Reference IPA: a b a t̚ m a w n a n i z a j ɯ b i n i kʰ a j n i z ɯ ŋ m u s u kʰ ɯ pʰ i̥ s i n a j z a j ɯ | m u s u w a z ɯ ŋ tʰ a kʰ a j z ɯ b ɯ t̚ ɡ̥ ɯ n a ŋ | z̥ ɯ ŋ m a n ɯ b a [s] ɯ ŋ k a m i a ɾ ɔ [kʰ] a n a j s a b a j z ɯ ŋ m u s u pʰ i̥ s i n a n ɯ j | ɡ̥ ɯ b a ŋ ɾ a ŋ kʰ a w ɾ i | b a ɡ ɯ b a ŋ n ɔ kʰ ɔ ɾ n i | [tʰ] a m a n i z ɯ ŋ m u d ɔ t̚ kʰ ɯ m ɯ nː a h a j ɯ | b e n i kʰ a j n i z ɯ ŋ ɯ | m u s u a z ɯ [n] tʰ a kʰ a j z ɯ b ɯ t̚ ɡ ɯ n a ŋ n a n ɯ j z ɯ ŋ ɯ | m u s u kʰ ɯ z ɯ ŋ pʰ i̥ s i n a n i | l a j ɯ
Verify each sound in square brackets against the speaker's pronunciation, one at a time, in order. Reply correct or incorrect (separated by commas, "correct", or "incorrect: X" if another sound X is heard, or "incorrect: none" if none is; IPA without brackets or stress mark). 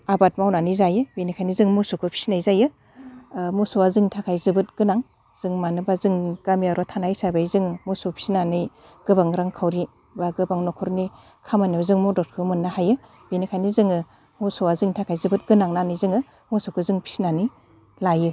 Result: incorrect: z, incorrect: tʰ, incorrect: kʰ, incorrect: ŋ